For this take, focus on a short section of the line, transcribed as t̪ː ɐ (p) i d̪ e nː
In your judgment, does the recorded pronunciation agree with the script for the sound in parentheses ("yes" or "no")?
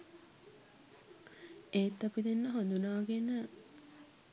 yes